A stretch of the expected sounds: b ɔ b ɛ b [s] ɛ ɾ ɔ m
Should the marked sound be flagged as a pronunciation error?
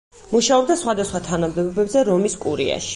yes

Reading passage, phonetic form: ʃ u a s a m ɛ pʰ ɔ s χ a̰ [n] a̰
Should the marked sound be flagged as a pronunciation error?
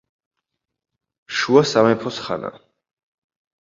no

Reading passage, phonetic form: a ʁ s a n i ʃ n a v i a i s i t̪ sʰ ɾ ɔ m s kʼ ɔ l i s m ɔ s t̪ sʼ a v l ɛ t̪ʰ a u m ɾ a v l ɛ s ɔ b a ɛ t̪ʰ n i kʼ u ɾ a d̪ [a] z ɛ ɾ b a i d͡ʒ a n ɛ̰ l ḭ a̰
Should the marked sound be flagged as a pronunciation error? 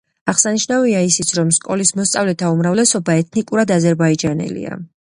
no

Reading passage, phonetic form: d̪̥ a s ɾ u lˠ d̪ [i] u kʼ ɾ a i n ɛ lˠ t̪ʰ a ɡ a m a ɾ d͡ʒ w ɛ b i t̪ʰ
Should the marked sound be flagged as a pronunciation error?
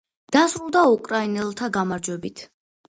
yes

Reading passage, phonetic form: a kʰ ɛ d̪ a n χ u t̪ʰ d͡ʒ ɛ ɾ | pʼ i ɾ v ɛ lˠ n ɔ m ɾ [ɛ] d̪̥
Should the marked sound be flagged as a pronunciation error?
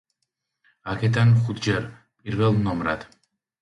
yes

